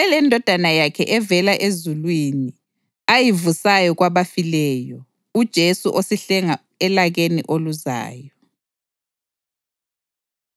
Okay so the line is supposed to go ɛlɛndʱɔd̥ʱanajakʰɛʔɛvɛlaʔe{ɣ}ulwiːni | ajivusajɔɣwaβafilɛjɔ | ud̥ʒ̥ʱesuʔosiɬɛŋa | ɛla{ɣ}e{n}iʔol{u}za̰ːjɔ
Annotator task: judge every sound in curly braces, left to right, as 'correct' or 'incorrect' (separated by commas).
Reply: incorrect, correct, correct, correct